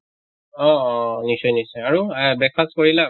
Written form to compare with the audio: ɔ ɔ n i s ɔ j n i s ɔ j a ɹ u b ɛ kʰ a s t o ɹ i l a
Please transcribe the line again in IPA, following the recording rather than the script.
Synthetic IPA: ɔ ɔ n i s ɔ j n i s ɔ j a ɹ u b ɛ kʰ a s k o ɹ i l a